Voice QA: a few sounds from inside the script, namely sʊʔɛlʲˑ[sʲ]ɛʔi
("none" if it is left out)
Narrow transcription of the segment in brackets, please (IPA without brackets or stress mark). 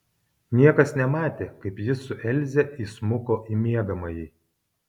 zʲ